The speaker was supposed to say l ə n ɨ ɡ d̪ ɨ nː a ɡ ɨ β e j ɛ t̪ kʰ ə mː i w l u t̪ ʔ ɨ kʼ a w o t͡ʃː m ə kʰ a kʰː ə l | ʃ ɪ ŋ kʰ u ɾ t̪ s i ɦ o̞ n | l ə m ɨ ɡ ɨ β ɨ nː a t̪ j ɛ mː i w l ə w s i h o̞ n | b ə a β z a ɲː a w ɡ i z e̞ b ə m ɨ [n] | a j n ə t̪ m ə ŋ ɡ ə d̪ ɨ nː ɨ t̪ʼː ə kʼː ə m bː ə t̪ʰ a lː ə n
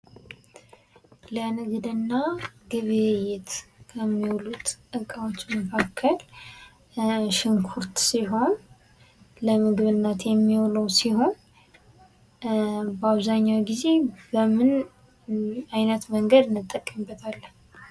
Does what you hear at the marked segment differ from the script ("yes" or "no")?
no